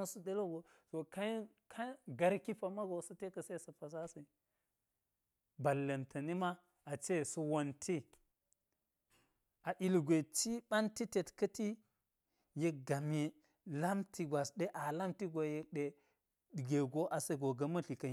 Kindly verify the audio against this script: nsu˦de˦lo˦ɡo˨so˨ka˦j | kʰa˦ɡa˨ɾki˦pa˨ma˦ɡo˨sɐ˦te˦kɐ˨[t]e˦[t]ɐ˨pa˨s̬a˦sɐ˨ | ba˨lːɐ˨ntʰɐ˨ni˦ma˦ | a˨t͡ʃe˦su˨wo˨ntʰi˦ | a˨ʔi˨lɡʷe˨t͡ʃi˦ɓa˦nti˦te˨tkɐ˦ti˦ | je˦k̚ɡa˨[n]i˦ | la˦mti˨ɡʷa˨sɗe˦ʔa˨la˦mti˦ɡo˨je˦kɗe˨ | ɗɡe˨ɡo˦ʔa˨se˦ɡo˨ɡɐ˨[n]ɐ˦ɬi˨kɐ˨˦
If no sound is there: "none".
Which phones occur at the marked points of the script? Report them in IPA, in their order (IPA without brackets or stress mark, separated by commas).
s, s, m, m